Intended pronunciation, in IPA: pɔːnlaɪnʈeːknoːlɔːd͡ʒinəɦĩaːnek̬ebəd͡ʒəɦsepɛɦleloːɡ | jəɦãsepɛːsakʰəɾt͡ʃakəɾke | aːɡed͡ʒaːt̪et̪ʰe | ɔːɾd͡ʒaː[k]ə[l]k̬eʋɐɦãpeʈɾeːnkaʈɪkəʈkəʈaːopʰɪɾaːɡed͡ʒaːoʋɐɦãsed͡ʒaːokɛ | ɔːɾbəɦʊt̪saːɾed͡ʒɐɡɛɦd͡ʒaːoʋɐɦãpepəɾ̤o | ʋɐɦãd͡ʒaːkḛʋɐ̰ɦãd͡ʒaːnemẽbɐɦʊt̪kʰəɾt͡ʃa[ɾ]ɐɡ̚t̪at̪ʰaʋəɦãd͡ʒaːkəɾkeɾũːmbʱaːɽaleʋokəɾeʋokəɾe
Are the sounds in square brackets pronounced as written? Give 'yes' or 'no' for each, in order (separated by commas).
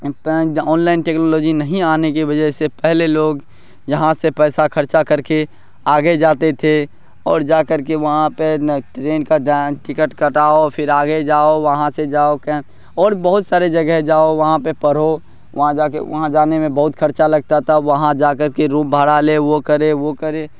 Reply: yes, no, no